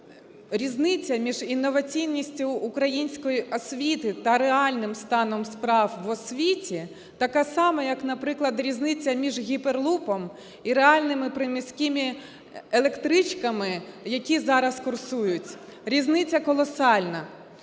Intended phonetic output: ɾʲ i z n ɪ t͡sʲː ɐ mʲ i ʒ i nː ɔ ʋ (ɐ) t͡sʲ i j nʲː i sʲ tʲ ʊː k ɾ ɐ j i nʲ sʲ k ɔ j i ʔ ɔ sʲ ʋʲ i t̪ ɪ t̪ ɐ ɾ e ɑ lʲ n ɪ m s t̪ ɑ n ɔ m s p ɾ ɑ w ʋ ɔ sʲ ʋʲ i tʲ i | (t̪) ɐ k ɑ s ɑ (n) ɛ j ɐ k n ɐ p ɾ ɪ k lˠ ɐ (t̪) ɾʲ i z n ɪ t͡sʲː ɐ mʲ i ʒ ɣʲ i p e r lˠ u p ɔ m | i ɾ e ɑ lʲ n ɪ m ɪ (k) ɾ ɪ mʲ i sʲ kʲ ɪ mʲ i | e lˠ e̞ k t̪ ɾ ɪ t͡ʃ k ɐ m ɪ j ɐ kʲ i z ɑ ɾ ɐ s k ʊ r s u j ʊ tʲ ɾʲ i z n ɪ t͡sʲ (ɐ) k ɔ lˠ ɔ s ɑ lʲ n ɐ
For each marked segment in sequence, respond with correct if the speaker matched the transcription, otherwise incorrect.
correct, correct, incorrect: m, incorrect: d̪, incorrect: p, correct

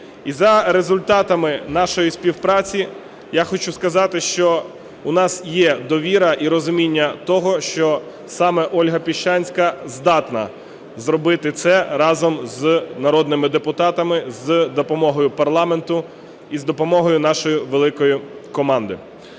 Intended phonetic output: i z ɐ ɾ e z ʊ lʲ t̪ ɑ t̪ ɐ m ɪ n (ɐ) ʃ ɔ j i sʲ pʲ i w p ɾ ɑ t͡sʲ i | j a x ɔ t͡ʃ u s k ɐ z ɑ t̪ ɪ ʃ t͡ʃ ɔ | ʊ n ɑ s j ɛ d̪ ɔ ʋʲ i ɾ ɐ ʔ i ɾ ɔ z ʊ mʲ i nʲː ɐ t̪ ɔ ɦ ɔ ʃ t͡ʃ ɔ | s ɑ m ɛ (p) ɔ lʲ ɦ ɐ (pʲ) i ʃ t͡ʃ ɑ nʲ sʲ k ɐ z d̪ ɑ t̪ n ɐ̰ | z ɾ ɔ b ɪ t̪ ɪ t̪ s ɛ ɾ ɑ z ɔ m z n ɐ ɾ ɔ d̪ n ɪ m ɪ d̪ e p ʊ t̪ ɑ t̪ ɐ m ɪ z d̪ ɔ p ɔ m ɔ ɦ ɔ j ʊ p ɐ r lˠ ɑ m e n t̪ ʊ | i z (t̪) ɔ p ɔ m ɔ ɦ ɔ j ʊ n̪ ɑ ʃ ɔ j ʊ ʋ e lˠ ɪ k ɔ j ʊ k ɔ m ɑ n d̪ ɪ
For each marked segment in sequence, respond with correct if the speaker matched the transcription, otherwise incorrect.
incorrect: ɑ, incorrect: ʔ, correct, incorrect: d̪

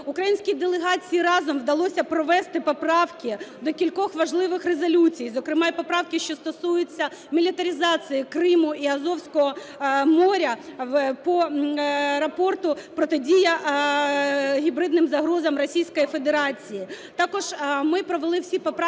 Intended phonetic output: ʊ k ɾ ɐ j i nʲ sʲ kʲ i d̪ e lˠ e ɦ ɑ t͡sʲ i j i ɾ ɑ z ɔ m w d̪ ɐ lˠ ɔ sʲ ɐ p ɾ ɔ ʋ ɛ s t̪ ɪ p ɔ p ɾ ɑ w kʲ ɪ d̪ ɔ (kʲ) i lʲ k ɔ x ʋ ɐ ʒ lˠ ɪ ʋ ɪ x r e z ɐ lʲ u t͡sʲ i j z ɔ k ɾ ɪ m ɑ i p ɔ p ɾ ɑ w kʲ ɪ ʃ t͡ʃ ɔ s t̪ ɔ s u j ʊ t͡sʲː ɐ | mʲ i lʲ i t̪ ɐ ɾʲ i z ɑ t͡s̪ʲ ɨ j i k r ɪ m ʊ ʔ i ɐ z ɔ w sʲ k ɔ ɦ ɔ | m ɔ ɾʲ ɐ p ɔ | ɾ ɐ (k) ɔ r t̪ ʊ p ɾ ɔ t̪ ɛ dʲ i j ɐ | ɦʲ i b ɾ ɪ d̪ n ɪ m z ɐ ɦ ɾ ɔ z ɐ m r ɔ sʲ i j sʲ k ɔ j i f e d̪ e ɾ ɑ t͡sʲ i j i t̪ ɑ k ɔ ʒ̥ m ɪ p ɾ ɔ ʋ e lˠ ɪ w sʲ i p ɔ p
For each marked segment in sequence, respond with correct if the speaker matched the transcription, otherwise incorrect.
correct, incorrect: p

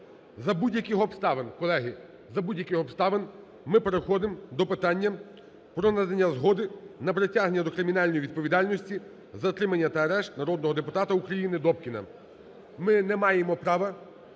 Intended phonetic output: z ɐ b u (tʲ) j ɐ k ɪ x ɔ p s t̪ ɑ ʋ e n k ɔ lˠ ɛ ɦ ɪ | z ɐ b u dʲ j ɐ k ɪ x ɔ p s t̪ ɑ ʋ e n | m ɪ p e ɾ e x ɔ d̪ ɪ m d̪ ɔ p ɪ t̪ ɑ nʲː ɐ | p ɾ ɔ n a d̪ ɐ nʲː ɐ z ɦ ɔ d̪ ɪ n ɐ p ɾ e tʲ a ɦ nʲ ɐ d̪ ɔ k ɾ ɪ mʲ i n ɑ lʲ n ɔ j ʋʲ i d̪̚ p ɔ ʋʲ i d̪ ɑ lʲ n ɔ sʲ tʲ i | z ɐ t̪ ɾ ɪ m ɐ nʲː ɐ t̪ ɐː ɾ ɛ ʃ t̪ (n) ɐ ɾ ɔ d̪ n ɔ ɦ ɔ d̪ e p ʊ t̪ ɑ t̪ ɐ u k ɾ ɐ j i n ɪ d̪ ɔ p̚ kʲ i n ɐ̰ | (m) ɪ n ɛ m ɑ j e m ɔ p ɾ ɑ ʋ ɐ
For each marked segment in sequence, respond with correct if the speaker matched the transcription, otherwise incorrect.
incorrect: dʲ, correct, correct

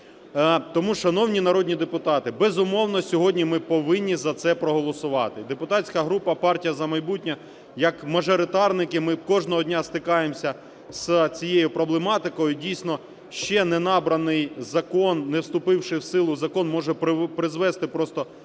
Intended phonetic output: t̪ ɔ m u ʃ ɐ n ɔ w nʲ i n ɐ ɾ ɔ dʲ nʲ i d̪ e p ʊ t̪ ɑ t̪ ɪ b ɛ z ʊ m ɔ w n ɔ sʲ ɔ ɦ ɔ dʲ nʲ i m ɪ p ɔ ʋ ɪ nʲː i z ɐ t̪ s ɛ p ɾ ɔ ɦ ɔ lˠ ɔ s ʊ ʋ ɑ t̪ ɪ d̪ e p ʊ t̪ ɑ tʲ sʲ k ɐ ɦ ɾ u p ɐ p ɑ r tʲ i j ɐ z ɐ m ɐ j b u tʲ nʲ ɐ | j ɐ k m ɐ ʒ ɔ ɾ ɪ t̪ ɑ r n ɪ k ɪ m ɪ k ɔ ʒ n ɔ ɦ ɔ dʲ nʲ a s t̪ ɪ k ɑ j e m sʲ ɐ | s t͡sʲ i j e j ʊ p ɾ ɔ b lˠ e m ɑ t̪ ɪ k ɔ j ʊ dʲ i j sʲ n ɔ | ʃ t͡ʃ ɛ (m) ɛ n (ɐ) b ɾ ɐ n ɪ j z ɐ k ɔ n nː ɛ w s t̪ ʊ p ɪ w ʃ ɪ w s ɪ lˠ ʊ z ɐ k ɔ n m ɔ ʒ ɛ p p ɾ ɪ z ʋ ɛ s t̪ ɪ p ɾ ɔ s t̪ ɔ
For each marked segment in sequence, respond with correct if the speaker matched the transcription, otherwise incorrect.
incorrect: n, incorrect: ɑ

